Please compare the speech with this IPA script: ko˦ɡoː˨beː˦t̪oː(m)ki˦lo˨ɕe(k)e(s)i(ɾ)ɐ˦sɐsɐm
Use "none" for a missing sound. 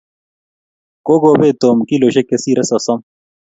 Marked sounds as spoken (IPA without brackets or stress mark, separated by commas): m, k, s, ɾ